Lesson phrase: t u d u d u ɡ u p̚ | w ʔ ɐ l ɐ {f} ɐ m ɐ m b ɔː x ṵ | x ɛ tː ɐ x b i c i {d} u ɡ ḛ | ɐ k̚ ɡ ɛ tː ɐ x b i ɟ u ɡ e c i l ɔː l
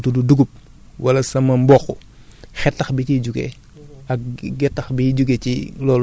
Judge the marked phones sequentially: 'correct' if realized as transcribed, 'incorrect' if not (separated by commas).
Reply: incorrect, incorrect